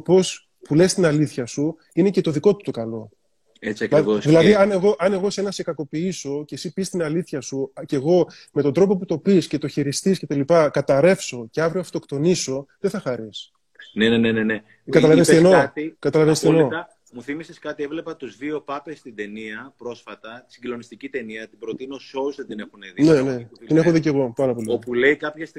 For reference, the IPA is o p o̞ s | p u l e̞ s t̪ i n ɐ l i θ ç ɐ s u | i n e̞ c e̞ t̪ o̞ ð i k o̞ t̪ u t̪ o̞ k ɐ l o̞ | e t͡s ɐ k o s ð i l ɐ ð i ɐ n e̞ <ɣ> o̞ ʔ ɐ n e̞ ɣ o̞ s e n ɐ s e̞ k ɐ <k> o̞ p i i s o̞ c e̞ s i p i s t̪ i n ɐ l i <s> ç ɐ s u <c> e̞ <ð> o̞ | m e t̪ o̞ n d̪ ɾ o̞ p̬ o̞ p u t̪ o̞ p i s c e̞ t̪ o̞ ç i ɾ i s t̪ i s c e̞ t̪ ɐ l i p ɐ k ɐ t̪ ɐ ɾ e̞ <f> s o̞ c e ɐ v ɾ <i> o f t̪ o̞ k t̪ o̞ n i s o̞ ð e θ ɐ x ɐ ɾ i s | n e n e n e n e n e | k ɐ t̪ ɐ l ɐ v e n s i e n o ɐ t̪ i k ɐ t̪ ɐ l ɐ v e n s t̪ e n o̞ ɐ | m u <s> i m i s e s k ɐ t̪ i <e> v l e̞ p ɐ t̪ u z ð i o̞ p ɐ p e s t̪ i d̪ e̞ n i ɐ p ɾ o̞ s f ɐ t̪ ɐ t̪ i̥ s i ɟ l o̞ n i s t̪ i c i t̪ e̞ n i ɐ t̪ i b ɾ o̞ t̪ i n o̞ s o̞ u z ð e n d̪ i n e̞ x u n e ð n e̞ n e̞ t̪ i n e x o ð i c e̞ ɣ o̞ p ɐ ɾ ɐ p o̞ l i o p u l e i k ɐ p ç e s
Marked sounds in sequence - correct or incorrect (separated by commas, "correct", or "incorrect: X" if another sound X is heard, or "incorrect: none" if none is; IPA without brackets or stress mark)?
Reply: correct, correct, incorrect: θ, correct, incorrect: ɣ, correct, correct, incorrect: θ, correct